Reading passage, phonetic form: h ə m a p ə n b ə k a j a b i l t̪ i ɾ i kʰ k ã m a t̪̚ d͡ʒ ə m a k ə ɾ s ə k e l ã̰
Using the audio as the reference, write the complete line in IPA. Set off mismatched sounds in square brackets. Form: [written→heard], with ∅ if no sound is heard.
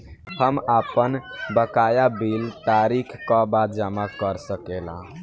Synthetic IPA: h ə m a p ə n b ə k a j a b i l t̪ [i→a] ɾ i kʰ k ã [m→b] a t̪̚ d͡ʒ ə m a k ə ɾ s ə k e l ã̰

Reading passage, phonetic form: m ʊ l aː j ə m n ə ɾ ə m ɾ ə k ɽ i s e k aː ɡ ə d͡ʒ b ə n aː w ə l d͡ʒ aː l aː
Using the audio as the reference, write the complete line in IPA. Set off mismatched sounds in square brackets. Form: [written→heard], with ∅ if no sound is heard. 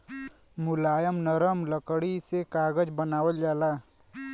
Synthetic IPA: m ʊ l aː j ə m n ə ɾ ə m [ɾ→l] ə k ɽ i s e k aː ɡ ə d͡ʒ b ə n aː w ə l d͡ʒ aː l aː

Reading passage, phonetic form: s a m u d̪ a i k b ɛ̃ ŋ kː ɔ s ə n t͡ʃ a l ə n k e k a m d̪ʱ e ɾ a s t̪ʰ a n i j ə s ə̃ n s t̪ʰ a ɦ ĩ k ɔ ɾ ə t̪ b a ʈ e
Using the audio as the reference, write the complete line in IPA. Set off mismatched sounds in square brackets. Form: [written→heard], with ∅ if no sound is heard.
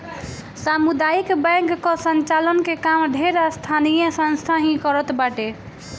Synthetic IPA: s a m u d̪ a i k b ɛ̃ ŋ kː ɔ s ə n t͡ʃ a l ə n k e k a m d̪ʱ e ɾ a s t̪ʰ a n i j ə s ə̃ n s t̪ʰ a ɦ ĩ k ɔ ɾ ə t̪ b a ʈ e

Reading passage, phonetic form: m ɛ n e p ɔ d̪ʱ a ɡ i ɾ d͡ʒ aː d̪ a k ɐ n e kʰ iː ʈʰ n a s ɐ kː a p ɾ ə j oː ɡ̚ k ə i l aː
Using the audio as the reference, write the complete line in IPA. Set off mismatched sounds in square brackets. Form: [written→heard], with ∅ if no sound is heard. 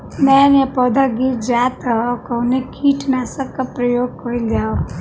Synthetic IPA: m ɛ n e p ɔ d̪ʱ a ɡ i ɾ d͡ʒ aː [d̪→t̪] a k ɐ n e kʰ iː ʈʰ n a s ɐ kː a p ɾ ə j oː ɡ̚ k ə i l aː

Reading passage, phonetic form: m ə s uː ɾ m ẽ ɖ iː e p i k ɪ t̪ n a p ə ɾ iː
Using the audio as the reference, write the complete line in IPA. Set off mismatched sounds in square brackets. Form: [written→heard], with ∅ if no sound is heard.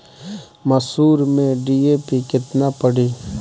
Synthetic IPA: m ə s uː ɾ m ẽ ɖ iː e p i k ɪ t̪ n a p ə [ɾ→ɽ] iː

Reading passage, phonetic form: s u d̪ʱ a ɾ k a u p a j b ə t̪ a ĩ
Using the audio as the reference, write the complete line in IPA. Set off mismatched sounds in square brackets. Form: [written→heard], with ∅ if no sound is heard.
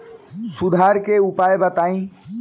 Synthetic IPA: s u d̪ʱ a ɾ k [a→e] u p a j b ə t̪ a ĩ

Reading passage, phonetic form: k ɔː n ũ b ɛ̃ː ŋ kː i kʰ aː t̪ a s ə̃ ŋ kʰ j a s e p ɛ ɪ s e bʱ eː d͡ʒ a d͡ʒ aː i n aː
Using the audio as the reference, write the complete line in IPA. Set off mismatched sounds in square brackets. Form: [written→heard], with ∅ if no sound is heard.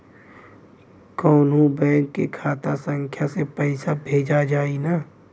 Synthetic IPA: k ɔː n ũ b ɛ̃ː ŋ kː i kʰ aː t̪ a s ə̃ ŋ kʰ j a s e p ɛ ɪ s [e→a] bʱ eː d͡ʒ a d͡ʒ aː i n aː

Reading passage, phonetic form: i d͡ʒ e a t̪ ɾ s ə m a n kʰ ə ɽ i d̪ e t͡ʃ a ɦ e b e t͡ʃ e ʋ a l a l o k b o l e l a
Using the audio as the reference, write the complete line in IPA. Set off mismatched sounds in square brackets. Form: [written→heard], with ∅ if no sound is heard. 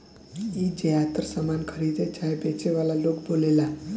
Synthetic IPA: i d͡ʒ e a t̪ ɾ s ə m a n kʰ ə [ɽ→ɾ] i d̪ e t͡ʃ a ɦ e b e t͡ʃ e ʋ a l a l o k b o l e l a

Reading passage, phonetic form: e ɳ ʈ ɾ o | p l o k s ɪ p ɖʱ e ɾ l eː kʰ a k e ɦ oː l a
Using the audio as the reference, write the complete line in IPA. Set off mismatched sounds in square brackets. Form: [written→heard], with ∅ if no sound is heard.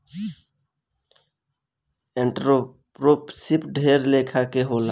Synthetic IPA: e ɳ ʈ ɾ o | p [l→ɾ] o [k→p] s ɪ p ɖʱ e ɾ l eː kʰ a k e ɦ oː l a

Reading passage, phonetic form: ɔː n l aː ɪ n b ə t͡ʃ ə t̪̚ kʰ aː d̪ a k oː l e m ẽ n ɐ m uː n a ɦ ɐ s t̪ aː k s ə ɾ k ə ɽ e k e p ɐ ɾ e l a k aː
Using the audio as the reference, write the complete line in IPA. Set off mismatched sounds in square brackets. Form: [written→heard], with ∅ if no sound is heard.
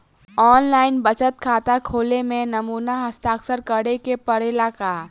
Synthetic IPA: ɔː n l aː ɪ n b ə t͡ʃ ə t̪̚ kʰ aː [d̪→t̪] a [k→kʰ] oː l e m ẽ n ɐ m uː n a ɦ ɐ s t̪ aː k s ə ɾ k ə ɽ e k e p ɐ ɾ e l a k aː

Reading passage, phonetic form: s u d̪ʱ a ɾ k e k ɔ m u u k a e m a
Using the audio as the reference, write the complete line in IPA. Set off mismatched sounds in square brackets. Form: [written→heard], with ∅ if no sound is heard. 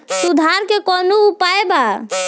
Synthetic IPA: s u d̪ʱ a ɾ k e k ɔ [m→n] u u [k→p] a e [m→b] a

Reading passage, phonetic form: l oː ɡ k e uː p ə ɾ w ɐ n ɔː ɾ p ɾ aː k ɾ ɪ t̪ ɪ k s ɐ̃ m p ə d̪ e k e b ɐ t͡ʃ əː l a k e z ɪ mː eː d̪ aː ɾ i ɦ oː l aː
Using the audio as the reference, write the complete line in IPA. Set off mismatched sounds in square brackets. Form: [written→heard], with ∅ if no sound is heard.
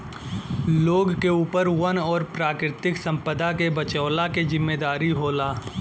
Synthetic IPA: l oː ɡ k e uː p ə ɾ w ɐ n ɔː ɾ p ɾ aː k ɾ ɪ t̪ ɪ k s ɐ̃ m p ə d̪ [e→a] k e b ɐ t͡ʃ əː l a k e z ɪ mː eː d̪ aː ɾ i ɦ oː l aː

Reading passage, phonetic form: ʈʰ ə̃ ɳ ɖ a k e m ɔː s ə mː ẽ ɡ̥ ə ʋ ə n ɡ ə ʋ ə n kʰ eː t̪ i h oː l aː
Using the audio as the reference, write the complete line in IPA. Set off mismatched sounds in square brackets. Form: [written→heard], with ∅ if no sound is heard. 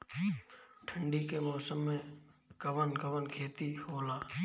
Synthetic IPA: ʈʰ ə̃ ɳ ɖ [a→i] k e m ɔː s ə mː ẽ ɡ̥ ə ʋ ə n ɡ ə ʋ ə n kʰ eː t̪ i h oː l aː

